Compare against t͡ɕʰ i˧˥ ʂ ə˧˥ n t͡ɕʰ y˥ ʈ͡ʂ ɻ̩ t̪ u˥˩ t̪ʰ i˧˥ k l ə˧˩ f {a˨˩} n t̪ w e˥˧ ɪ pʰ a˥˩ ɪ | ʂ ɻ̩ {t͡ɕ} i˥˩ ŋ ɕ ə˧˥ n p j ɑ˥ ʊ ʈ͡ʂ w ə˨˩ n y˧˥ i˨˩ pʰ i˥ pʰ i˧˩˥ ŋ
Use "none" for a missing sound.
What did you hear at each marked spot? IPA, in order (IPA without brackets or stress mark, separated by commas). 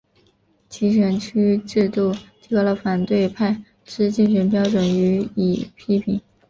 a˨˩, t͡ɕ